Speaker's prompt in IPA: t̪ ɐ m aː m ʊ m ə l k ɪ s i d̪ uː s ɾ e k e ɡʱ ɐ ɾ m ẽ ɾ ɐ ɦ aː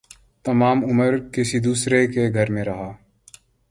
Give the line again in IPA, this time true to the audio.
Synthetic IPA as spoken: t̪ ɐ m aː m ʊ m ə ɾ k ɪ s i d̪ uː s ɾ e k e ɡʱ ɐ ɾ m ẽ ɾ ɐ ɦ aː